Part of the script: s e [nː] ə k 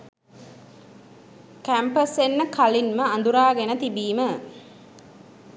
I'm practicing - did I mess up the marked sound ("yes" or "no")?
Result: no